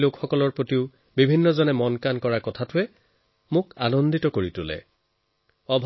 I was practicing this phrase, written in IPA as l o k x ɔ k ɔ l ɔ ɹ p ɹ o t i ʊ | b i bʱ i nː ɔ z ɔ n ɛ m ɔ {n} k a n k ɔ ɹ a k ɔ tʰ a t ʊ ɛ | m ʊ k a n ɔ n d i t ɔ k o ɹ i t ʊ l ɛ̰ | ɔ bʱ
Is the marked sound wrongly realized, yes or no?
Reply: no